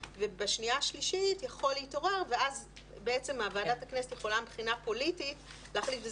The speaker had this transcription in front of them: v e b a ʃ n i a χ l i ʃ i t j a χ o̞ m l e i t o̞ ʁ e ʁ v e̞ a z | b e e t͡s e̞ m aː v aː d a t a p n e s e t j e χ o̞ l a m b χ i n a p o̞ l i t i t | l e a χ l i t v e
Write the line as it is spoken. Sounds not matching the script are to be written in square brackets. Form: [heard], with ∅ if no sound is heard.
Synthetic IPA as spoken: v e b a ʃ n i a [ʃ] l i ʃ i t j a χ o̞ [∅] l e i t o̞ ʁ e ʁ v e̞ a z | b e e t͡s e̞ m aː v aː d a t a [k] n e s e t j e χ o̞ l a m b χ i n a p o̞ l i t i t | l e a χ l i t v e